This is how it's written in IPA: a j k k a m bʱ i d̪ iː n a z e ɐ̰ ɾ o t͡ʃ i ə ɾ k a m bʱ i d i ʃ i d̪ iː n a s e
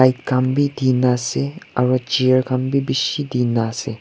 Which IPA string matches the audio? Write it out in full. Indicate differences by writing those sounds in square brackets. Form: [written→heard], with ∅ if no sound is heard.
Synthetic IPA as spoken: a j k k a m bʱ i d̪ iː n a [z→s] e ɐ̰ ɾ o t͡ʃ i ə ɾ k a m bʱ i [d→b] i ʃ i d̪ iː n a s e